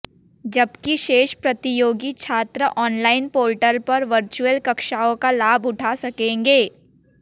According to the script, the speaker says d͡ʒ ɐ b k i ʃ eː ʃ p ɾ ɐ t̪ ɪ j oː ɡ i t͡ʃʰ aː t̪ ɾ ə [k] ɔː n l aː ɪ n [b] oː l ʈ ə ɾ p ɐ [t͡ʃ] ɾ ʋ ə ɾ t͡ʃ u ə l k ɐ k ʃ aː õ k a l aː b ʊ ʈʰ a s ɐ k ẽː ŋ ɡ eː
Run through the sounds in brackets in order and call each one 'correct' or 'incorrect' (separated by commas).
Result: incorrect, incorrect, incorrect